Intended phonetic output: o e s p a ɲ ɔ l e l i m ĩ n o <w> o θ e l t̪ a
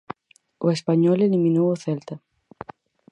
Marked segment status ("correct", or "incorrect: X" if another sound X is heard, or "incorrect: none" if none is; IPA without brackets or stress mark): correct